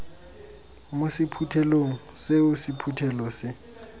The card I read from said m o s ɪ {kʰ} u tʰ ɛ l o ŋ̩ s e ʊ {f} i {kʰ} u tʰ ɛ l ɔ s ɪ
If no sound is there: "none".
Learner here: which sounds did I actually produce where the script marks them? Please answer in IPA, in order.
pʰ, s, pʰ

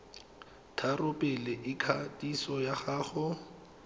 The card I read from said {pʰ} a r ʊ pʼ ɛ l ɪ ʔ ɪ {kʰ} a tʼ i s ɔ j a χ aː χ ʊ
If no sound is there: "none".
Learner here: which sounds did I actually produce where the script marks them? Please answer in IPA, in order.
tʰ, kʰ

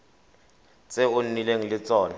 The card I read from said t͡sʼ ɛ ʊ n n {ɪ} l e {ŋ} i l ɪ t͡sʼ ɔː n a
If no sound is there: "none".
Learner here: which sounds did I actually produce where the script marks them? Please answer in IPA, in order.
i, ŋ

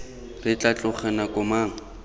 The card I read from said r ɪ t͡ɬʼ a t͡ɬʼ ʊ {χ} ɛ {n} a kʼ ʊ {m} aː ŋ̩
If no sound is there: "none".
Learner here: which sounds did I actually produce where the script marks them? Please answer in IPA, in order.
χ, n, m

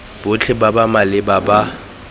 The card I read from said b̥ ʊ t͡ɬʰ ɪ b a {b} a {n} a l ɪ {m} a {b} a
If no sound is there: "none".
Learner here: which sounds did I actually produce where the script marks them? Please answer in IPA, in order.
b, m, b, b

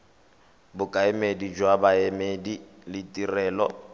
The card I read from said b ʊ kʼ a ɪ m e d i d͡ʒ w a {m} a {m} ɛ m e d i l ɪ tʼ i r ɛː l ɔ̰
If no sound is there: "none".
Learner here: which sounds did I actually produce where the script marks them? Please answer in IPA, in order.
b, none

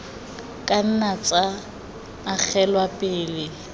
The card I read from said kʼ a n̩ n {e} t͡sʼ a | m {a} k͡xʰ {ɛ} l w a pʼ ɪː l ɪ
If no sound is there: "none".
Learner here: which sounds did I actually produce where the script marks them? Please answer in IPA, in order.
a, a, ɛ

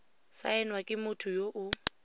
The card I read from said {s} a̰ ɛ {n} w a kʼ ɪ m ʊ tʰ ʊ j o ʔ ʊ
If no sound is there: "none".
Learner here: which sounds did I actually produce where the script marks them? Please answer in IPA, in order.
s, n

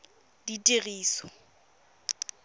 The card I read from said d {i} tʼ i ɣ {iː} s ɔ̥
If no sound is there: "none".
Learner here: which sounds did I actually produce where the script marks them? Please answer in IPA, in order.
i, iː

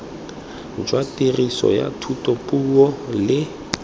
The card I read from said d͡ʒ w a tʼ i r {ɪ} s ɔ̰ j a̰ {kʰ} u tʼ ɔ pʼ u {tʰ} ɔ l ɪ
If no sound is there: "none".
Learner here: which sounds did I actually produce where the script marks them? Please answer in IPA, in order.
i, tʰ, none

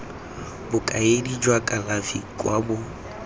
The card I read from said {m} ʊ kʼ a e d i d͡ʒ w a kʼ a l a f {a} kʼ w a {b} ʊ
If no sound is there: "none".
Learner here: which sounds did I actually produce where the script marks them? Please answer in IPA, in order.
b, i, b

